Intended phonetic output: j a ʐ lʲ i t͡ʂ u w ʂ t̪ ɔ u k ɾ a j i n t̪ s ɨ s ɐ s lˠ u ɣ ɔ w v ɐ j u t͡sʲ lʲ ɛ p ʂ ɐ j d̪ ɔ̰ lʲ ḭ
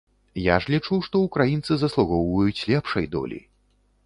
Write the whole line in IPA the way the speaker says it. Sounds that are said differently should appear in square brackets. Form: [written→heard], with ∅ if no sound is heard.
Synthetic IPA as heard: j a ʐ lʲ i t͡ʂ u w ʂ t̪ ɔ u k ɾ a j i n t̪ s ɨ [s→z] ɐ s lˠ u ɣ ɔ w v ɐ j u t͡sʲ lʲ ɛ p ʂ ɐ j d̪ ɔ̰ lʲ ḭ

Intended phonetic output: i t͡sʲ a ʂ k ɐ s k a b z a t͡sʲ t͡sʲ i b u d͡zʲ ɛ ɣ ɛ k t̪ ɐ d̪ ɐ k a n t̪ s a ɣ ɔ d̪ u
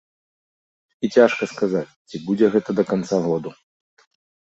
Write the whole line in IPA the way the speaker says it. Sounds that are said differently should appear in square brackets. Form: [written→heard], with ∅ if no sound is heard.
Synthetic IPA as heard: i t͡sʲ a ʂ k ɐ s k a [b→∅] z a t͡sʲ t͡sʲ i b u d͡zʲ ɛ ɣ ɛ [k→∅] t̪ ɐ d̪ ɐ k a n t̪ s a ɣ ɔ d̪ u

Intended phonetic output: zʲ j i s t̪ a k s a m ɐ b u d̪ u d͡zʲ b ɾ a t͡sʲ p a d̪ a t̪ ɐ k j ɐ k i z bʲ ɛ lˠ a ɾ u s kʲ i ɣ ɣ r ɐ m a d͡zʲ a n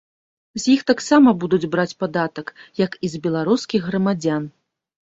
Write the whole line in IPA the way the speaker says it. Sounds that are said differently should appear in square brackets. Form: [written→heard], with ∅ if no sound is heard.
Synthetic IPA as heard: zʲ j i [s→x] t̪ a k s a m ɐ b u d̪ u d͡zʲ b ɾ a t͡sʲ p a d̪ a t̪ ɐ k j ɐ k i z bʲ ɛ lˠ a ɾ u s kʲ i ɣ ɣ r ɐ m a d͡zʲ a n

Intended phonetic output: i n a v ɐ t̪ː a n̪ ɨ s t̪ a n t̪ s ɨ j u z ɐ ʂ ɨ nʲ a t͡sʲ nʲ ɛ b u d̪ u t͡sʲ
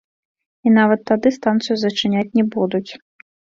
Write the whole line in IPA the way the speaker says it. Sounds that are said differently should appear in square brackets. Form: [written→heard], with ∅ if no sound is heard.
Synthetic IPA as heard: i n a v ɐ t̪ː a [n̪→d̪] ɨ s t̪ a n t̪ s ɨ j u z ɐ [ʂ→t͡ʂ] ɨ nʲ a t͡sʲ nʲ ɛ b u d̪ u t͡sʲ

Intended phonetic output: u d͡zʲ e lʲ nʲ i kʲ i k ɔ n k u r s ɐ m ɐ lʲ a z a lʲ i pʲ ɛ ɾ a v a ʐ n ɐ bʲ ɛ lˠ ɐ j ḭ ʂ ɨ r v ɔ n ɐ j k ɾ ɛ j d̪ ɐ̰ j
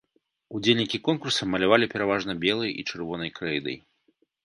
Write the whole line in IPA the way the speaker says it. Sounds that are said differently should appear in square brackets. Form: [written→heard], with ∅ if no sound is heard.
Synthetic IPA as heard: u d͡zʲ e lʲ nʲ i kʲ i k ɔ n k u r s ɐ m ɐ lʲ a [z→v] a lʲ i pʲ ɛ ɾ a v a ʐ n ɐ bʲ ɛ lˠ ɐ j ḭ [ʂ→t͡ʂ] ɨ r v ɔ n ɐ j k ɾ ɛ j d̪ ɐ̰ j

